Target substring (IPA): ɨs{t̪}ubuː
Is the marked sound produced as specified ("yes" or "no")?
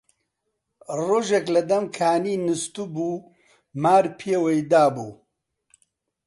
yes